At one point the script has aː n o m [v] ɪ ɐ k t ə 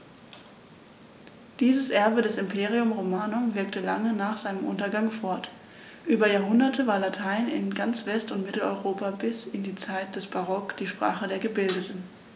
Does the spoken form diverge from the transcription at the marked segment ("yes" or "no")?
no